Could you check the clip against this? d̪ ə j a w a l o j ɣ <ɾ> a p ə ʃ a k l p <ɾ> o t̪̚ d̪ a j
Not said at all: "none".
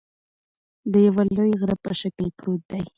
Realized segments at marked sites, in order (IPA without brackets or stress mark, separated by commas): ɾ, ɾ